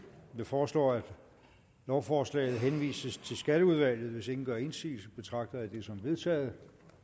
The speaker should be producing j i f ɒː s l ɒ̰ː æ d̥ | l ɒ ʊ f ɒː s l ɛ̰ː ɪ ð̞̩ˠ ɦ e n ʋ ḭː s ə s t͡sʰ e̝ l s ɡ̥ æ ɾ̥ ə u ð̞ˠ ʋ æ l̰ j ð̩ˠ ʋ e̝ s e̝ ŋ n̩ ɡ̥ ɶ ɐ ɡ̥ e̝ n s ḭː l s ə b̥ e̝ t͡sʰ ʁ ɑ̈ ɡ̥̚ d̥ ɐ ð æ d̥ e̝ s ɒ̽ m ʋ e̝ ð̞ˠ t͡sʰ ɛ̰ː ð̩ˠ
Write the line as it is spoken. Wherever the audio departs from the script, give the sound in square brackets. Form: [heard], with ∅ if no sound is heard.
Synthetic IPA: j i f ɒː s l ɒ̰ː æ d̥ | l ɒ ʊ f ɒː s l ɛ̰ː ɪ ð̞̩ˠ ɦ e n ʋ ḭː s ə s t͡sʰ e̝ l s ɡ̥ æ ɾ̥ ə u ð̞ˠ ʋ æ l̰ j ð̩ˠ ʋ e̝ s e̝ ŋ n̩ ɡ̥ ɶ ɐ [∅] e̝ n s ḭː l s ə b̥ e̝ t͡sʰ ʁ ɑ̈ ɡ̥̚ d̥ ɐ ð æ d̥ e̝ s ɒ̽ m ʋ e̝ ð̞ˠ t͡sʰ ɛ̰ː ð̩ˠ